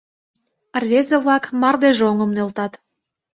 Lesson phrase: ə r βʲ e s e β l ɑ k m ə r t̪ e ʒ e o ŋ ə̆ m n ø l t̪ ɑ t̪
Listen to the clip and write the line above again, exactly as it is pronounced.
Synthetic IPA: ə r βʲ e z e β l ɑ k m ɑ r d̪ e ʒ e o ŋ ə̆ m n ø l t̪ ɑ t̪